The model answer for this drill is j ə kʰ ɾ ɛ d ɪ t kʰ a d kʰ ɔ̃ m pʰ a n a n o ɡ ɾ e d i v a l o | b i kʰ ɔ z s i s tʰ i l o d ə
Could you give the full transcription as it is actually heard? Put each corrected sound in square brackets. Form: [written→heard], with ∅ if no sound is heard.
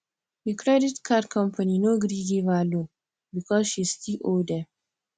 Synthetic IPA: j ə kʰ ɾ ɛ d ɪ t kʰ a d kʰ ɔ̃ m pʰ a n [a→i] n o ɡ ɾ [e→i] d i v a l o | b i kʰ ɔ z [s→ʃ] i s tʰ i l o d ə